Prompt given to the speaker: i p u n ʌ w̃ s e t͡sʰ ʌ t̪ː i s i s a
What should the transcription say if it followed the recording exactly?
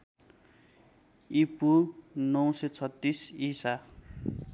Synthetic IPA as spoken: i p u n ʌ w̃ s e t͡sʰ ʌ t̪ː i s i s a